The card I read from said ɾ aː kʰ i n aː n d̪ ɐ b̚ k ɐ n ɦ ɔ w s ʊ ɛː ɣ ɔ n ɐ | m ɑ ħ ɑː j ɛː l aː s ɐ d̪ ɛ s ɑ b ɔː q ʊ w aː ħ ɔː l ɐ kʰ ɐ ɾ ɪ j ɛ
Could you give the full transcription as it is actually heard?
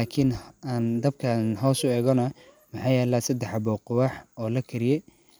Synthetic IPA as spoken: l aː kʰ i n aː n d̪ ɐ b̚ kʰ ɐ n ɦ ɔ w s ʊ ɛː ɣ ɔ n ɐ | m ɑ ħ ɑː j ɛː l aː s ɐ d̪ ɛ ħ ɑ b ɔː q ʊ w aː ħ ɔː l ɐ kʰ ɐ ɾ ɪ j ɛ